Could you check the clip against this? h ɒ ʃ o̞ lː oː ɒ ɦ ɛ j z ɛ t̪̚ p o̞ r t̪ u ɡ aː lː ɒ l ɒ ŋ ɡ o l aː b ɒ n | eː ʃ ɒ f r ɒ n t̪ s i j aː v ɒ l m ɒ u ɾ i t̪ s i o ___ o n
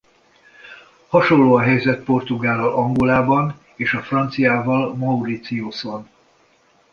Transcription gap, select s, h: s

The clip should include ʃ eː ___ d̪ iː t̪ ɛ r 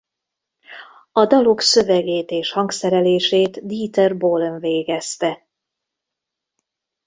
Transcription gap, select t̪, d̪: t̪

